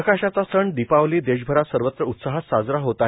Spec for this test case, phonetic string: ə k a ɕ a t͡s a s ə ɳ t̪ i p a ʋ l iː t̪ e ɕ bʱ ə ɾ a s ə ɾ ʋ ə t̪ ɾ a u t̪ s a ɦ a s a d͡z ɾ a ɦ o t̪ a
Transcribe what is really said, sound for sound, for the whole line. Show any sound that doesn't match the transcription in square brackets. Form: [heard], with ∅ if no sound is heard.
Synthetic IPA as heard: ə k a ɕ a t͡s a s ə ɳ [d̪] i p a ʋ l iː [d̪] e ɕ bʱ ə ɾ a s ə ɾ ʋ ə t̪ ɾ [ə] u t̪ s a ɦ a s a d͡z ɾ a ɦ o t̪ a

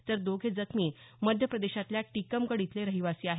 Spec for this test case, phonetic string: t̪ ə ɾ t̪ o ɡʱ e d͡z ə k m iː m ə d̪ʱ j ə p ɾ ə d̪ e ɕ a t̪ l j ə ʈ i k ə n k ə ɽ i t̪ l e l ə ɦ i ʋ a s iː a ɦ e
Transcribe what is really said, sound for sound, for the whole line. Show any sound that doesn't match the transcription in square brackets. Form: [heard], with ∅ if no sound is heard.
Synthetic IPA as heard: t̪ ə ɾ [d̪] o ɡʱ e d͡z ə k m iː m ə d̪ʱ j ə p ɾ ə d̪ e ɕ a t̪ l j [a] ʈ i k ə [m] k ə ɽ i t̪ l e [ɾ] ə ɦ i ʋ a s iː a ɦ e

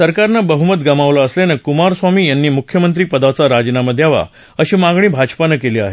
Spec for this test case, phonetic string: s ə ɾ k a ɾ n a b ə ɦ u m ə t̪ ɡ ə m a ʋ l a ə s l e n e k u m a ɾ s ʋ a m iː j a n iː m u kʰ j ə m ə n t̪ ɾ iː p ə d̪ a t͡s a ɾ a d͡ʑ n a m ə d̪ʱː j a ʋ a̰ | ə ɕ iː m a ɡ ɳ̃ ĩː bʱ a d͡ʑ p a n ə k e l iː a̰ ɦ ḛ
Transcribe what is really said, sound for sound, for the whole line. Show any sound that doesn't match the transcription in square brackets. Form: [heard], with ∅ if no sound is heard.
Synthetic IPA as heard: s ə ɾ k a ɾ n a b ə ɦ u m ə t̪ ɡ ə m a ʋ l a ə s l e n e k u m a ɾ s ʋ a m iː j a [nː] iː m u kʰ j ə m ə n t̪ ɾ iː p ə d̪ a t͡s a ɾ a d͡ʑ n a m ə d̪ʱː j a ʋ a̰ | ə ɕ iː m a ɡ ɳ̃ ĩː bʱ a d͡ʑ p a n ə k e l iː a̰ ɦ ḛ

